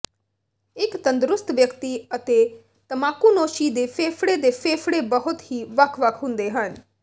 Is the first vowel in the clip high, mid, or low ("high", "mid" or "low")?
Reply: high